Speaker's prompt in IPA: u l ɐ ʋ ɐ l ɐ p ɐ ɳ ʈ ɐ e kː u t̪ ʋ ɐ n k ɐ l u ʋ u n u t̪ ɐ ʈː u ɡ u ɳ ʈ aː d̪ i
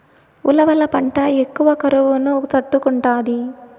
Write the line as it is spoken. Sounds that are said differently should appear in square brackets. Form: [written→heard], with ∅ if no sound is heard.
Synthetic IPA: u l ɐ ʋ ɐ l ɐ p ɐ ɳ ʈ ɐ e kː u [t̪→∅] ʋ ɐ [n→∅] k ɐ [l→ɾ] u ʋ u n u t̪ ɐ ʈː u [ɡ→k] u ɳ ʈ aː d̪ i